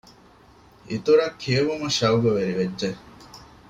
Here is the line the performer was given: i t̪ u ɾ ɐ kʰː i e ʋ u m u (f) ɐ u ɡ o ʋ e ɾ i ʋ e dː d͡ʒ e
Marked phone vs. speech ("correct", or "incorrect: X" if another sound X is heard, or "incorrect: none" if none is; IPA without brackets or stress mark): incorrect: ʃ